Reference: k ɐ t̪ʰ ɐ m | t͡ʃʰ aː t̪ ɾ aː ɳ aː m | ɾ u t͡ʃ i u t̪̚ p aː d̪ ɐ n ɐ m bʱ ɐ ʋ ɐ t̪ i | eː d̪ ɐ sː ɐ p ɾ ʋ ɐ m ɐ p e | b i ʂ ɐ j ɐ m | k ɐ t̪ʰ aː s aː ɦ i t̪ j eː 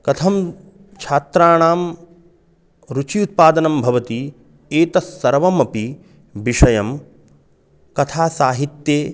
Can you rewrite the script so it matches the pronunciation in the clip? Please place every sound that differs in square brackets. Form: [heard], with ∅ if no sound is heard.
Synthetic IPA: k ɐ t̪ʰ ɐ m | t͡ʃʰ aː t̪ ɾ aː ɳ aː m | ɾ u t͡ʃ i u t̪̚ p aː d̪ ɐ n ɐ m bʱ ɐ ʋ ɐ t̪ i | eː [t̪] ɐ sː ɐ [∅] ɾ ʋ ɐ m ɐ p [i] | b i ʂ ɐ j ɐ m | k ɐ t̪ʰ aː s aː ɦ i t̪ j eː

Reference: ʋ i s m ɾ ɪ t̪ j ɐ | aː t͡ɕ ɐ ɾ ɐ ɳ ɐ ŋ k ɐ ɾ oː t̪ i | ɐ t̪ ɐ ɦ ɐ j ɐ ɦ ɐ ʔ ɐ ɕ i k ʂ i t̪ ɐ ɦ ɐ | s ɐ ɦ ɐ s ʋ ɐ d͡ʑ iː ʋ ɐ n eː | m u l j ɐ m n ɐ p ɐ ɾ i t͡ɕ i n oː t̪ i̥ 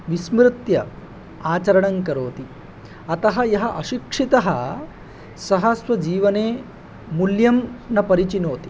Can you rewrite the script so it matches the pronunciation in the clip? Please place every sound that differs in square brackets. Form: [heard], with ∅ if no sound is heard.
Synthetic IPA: ʋ i s m ɾ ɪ t̪ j ɐ | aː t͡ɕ ɐ ɾ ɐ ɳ ɐ ŋ k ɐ ɾ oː t̪ i | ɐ t̪ ɐ ɦ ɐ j ɐ ɦ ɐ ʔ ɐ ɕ i k ʂ i t̪ ɐ ɦ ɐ | s ɐ ɦ ɐ s ʋ ɐ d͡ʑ iː ʋ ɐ n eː | m u l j ɐ m n ɐ p ɐ ɾ i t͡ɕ i n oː t̪ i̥

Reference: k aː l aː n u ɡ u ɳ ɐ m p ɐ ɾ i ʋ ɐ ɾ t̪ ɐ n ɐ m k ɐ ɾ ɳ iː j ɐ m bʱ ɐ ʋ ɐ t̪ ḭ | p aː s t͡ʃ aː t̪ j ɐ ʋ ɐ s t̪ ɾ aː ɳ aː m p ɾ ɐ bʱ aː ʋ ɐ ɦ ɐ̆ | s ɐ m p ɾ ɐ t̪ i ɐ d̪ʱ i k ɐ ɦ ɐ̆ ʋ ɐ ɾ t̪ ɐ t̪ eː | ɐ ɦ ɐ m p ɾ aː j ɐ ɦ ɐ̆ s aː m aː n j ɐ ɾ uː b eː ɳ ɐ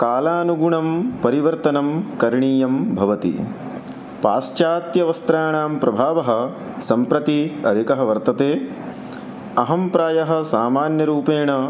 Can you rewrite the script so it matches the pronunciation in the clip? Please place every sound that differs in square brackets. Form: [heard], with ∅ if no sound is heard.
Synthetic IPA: k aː l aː n u ɡ u ɳ ɐ m p ɐ ɾ i ʋ ɐ ɾ t̪ ɐ n ɐ m k ɐ ɾ ɳ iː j ɐ m bʱ ɐ ʋ ɐ t̪ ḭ | p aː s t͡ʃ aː t̪ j ɐ ʋ ɐ s t̪ ɾ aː ɳ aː m p ɾ ɐ bʱ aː ʋ ɐ ɦ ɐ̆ | s ɐ m p ɾ ɐ t̪ i ɐ d̪ʱ i k ɐ ɦ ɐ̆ ʋ ɐ ɾ t̪ ɐ t̪ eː | ɐ ɦ ɐ m p ɾ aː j ɐ ɦ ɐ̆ s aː m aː n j ɐ ɾ uː [p] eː ɳ ɐ

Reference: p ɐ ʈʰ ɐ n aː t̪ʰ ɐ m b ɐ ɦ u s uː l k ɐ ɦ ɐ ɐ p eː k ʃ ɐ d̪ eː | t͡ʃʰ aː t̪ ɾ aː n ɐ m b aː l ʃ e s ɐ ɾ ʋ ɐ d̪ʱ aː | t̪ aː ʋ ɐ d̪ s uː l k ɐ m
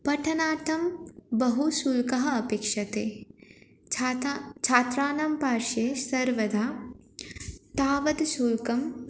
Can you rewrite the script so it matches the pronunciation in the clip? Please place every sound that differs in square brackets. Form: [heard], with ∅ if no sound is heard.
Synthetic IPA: p ɐ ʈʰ ɐ n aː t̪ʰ ɐ m b ɐ ɦ u s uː l k ɐ ɦ ɐ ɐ p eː k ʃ ɐ [t̪] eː | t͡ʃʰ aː t̪ ɾ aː n ɐ m [p] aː [ɾ] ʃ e s ɐ ɾ ʋ ɐ d̪ʱ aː | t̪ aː ʋ ɐ d̪ s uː l k ɐ m

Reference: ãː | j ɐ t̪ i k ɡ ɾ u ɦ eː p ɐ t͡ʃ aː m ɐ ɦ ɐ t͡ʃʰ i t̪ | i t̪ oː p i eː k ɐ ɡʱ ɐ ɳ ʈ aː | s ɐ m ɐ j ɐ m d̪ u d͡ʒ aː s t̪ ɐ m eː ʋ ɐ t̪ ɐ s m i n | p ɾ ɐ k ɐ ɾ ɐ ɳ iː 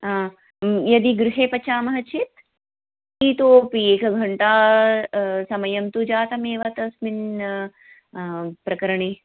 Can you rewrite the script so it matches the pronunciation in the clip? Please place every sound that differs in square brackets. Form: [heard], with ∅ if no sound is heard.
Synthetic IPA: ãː | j ɐ [d̪] i [∅] ɡ ɾ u ɦ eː p ɐ t͡ʃ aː m ɐ ɦ ɐ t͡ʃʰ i t̪ | i t̪ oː p i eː k ɐ ɡʱ ɐ ɳ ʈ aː | s ɐ m ɐ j ɐ m [t̪] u d͡ʒ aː [∅] t̪ ɐ m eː ʋ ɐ t̪ ɐ s m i n | p ɾ ɐ k ɐ ɾ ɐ ɳ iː

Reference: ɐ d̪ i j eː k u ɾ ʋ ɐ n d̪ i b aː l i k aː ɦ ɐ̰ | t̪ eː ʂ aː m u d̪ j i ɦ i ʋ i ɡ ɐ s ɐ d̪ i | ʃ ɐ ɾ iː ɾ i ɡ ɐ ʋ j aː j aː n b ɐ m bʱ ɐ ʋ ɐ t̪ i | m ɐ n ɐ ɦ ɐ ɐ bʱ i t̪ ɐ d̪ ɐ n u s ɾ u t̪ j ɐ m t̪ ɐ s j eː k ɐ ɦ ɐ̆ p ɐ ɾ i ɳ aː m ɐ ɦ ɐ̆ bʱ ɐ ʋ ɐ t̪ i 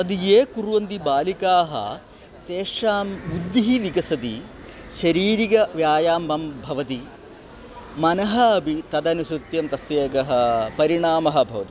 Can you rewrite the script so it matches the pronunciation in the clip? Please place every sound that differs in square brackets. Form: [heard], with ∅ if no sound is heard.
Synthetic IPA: ɐ d̪ i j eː k u ɾ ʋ ɐ n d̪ i b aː l i k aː ɦ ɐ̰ | t̪ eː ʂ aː m u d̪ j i ɦ i ʋ i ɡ ɐ s ɐ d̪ i | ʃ ɐ ɾ iː ɾ i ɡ ɐ ʋ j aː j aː [m] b ɐ m bʱ ɐ ʋ ɐ t̪ i | m ɐ n ɐ ɦ ɐ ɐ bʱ i t̪ ɐ d̪ ɐ n u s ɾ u t̪ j ɐ m t̪ ɐ s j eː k ɐ ɦ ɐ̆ p ɐ ɾ i ɳ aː m ɐ ɦ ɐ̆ bʱ ɐ ʋ ɐ t̪ i

